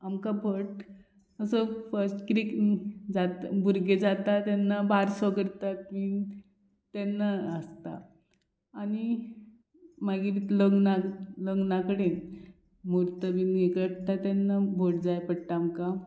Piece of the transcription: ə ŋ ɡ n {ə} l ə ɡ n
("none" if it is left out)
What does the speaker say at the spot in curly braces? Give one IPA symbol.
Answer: a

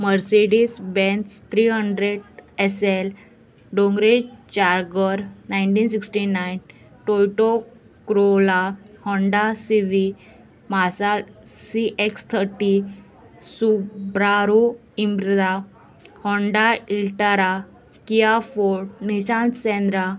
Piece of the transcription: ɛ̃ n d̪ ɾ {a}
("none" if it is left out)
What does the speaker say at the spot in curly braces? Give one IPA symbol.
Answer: a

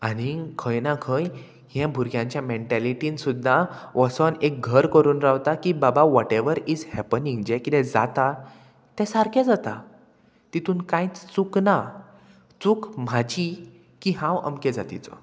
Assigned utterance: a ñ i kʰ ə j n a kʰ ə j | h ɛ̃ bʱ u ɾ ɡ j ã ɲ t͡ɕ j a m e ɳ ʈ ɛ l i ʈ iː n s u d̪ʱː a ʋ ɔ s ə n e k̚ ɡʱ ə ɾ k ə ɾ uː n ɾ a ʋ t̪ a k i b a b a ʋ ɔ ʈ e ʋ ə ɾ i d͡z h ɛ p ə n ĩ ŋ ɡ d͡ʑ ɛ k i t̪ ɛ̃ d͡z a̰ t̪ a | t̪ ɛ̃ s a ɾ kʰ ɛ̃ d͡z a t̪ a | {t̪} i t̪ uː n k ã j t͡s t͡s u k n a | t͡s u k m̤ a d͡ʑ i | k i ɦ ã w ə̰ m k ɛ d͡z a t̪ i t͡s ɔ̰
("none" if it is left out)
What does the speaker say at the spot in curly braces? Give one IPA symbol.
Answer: t̪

